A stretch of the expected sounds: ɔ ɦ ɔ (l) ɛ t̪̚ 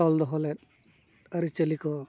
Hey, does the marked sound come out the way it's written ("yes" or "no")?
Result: yes